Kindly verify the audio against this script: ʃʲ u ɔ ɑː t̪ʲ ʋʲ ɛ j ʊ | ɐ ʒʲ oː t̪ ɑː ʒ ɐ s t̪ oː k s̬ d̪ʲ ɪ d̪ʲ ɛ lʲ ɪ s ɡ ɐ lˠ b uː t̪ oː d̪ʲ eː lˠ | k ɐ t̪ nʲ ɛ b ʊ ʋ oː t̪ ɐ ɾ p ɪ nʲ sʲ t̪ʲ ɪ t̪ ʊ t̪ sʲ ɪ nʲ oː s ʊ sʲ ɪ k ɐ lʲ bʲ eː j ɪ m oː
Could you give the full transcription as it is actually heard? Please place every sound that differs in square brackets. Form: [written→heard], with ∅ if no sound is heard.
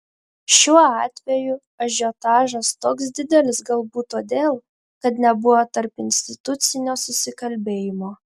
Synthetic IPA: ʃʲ u ɔ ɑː t̪ʲ ʋʲ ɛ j ʊ | ɐ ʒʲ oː t̪ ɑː ʒ ɐ s t̪ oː k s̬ d̪ʲ ɪ d̪ʲ ɛ lʲ ɪ s ɡ ɐ lˠ b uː t̪ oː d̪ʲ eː lˠ | k ɐ t̪ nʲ ɛ b ʊ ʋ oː t̪ ɐ ɾ p ɪ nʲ sʲ t̪ʲ ɪ t̪ ʊ t̪ sʲ ɪ nʲ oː s ʊ sʲ ɪ k ɐ lʲ bʲ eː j ɪ m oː